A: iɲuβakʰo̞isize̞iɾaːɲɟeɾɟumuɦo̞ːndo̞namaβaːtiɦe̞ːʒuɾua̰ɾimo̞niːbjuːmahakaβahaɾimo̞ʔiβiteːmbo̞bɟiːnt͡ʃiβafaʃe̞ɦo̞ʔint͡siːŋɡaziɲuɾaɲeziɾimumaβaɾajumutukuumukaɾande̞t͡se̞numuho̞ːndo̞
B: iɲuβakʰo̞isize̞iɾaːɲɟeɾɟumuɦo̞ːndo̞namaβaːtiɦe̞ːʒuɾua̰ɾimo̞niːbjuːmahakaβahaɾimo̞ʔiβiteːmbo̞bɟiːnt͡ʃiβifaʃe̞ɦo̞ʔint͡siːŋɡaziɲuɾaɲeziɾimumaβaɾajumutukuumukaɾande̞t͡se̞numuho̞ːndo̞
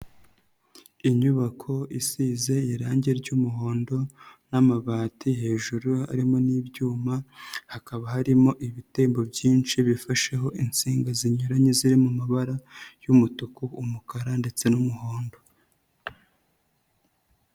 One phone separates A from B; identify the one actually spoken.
B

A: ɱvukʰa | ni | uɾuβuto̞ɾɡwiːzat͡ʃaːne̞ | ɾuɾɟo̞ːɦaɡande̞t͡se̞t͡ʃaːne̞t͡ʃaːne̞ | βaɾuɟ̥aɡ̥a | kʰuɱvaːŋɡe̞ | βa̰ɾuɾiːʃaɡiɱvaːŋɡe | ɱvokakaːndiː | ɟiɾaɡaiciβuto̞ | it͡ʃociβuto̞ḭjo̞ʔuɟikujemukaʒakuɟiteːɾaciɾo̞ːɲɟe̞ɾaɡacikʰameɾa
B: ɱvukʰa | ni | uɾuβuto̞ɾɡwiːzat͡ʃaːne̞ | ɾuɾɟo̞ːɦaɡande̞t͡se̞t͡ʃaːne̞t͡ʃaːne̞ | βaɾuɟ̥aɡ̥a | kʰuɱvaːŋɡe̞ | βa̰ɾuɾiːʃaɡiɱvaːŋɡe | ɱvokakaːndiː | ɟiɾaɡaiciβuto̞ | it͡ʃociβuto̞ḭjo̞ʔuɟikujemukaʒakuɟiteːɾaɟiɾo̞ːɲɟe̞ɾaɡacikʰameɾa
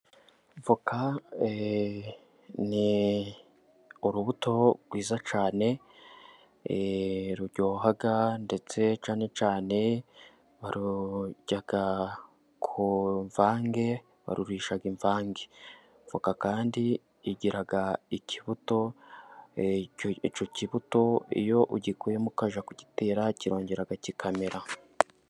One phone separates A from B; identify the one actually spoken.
A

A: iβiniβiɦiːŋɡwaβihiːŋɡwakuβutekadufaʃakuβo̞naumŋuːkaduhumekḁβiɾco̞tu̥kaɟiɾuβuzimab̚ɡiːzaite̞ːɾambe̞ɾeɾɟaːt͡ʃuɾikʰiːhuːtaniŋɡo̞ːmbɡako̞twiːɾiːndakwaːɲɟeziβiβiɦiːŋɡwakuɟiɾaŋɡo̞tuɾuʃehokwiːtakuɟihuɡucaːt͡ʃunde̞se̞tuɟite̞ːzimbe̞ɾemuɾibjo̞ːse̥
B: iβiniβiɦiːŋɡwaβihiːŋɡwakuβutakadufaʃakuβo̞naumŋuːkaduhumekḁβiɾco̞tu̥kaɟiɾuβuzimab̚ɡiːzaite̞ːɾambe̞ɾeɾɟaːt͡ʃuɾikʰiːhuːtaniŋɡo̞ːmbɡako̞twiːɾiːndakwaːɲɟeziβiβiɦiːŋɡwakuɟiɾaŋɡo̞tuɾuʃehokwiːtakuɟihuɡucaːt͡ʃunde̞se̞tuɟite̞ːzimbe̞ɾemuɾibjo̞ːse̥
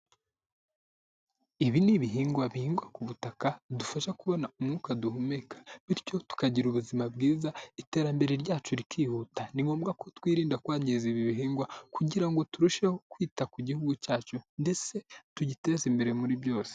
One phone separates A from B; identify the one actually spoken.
B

